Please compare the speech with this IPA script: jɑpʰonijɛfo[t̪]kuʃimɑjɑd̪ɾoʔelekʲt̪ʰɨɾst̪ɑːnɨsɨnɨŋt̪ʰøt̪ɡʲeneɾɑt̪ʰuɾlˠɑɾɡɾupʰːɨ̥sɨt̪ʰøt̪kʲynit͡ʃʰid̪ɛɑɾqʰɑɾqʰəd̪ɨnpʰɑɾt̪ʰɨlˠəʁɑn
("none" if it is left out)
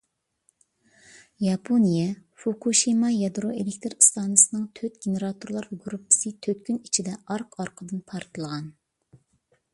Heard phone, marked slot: none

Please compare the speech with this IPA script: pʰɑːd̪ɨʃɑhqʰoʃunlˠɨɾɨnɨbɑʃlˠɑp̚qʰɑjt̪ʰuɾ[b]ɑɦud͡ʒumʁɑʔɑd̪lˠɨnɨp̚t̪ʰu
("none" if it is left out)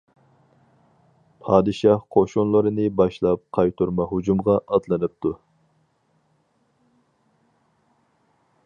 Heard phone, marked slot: m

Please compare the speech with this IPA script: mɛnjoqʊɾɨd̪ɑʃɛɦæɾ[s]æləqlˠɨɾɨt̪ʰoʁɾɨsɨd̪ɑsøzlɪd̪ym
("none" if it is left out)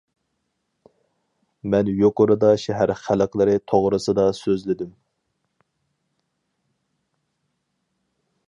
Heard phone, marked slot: χ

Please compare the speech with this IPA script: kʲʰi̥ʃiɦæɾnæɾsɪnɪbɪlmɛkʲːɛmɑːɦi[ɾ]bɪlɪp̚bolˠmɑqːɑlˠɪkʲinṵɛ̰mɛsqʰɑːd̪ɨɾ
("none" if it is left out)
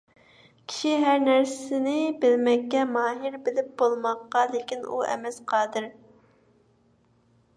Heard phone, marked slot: ɾ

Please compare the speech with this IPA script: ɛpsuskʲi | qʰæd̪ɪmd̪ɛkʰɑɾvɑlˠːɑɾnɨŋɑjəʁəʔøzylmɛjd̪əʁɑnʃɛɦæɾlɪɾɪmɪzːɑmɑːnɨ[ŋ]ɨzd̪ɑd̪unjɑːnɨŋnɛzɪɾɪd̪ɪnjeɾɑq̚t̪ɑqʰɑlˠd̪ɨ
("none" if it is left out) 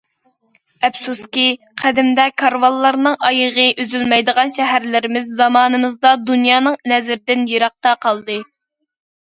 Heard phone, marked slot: m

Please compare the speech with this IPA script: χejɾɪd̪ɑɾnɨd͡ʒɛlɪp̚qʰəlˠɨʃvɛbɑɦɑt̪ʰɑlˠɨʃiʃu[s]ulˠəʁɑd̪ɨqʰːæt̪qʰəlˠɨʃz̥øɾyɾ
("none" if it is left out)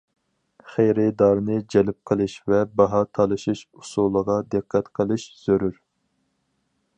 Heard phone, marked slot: s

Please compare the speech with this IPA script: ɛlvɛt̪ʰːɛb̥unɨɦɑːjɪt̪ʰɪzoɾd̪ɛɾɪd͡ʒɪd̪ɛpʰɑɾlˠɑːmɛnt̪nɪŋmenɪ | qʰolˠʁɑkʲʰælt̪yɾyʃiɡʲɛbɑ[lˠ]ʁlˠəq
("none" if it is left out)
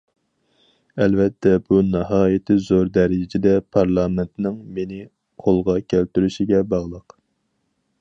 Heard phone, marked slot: none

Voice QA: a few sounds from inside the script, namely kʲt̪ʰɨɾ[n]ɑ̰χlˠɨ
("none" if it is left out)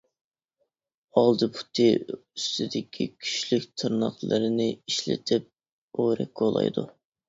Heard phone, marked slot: n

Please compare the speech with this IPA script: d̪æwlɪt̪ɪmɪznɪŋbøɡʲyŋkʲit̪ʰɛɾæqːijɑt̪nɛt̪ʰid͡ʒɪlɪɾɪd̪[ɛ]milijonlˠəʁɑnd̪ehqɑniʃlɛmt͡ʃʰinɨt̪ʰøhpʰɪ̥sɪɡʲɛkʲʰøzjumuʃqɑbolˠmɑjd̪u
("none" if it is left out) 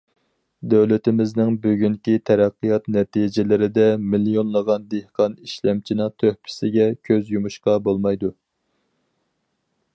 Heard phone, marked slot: ɛ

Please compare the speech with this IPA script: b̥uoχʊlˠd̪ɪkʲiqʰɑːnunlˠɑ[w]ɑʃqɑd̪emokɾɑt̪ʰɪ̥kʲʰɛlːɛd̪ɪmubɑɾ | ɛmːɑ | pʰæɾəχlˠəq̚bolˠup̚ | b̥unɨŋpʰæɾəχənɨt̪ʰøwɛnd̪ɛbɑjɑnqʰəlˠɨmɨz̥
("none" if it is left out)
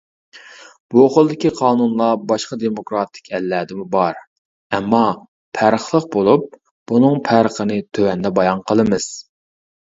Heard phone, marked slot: b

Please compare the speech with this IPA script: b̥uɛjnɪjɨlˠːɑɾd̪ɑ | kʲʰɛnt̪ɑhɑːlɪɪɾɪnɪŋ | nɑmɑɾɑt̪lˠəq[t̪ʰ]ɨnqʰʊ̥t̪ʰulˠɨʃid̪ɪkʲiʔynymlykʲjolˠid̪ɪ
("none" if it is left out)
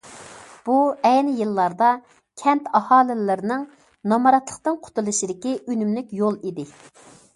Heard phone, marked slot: t̪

